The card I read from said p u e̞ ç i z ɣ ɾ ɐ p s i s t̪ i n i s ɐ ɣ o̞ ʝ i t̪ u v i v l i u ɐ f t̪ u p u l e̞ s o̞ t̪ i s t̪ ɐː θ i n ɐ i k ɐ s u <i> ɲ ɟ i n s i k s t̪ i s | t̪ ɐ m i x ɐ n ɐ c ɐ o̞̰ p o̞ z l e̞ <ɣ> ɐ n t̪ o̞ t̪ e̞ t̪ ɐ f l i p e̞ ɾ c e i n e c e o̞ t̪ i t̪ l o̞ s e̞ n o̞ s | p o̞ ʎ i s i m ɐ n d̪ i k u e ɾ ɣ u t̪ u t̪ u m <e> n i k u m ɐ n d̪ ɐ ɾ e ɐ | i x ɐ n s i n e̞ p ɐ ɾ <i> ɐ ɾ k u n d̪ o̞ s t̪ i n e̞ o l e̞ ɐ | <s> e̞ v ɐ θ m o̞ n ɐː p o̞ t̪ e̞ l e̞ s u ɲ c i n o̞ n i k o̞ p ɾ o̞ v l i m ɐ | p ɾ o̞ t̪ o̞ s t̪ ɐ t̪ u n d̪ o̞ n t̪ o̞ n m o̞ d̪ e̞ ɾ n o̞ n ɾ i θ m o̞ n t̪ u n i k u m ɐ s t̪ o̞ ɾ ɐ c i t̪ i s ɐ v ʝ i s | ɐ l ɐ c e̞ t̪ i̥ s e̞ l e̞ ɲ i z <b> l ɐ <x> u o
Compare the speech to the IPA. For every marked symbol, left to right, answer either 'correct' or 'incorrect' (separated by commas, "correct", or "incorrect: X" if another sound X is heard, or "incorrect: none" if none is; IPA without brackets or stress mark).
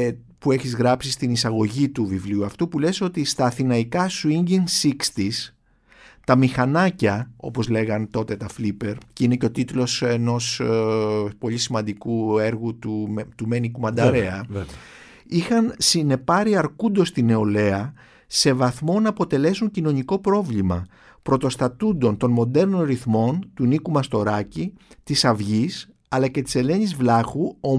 correct, correct, correct, correct, correct, incorrect: v, correct